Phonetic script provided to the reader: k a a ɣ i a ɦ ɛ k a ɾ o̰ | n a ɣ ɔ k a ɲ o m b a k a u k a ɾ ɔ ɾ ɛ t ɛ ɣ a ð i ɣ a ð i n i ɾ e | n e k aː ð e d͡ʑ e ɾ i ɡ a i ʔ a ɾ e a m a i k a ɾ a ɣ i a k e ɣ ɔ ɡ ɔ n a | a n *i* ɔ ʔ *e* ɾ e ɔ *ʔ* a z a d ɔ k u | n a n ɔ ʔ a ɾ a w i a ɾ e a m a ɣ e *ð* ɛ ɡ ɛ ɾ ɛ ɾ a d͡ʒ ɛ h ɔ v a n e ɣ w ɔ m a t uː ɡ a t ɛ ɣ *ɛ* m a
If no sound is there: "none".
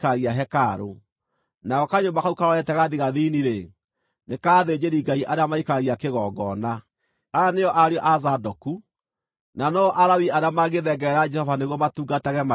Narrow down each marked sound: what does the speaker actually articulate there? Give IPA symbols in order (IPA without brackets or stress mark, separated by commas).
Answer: e, a, ʔ, ð, ɛ